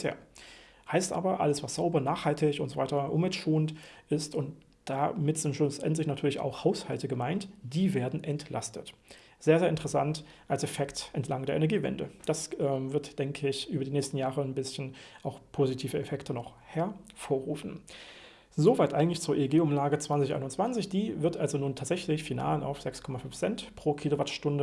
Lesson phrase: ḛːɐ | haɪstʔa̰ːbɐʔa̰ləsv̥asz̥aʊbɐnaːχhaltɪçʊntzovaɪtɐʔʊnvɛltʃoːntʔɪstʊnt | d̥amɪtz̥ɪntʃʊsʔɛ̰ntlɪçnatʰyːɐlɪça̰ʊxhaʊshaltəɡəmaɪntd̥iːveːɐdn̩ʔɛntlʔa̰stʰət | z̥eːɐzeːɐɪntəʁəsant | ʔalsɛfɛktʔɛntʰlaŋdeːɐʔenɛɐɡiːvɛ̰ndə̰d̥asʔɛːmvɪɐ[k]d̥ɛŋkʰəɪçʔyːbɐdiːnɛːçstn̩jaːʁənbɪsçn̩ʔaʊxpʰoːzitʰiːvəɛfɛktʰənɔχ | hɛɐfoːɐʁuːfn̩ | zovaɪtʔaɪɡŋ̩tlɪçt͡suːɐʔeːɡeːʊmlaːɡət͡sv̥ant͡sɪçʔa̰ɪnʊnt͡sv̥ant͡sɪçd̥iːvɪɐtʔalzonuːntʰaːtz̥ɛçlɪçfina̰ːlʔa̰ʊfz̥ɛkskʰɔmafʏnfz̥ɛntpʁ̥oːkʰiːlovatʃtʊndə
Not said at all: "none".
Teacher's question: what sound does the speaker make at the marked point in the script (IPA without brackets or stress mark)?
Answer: t